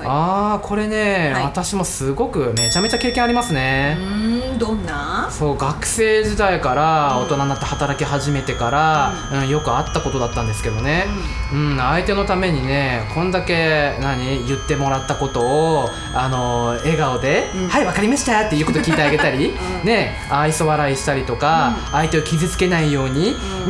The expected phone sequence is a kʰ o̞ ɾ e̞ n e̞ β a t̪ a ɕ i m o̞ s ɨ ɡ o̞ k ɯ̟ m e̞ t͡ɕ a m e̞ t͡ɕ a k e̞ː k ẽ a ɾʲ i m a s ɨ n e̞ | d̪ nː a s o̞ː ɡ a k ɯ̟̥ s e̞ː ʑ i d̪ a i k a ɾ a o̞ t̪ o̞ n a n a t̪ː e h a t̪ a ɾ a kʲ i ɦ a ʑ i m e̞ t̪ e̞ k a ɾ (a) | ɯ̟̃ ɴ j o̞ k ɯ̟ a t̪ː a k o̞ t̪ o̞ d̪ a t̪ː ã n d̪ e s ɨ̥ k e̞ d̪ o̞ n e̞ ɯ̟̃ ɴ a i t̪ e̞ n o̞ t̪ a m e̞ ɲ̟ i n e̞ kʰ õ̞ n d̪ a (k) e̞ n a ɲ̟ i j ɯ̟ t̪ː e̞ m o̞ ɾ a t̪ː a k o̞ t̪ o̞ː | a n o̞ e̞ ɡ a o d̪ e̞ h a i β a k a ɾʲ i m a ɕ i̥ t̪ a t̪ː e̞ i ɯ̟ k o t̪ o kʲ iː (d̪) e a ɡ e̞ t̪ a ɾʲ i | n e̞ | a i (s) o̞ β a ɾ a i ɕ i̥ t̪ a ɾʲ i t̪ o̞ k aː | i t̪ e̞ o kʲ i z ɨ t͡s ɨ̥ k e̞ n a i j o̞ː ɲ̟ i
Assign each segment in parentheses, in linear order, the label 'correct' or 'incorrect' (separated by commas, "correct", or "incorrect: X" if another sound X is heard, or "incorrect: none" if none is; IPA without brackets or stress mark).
correct, correct, incorrect: t̪, correct